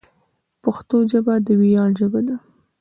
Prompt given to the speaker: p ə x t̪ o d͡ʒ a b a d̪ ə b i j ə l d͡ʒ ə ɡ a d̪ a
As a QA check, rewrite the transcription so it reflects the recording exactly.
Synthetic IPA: p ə x t̪ o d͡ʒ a b a d̪ ə w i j ɑ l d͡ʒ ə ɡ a d̪ a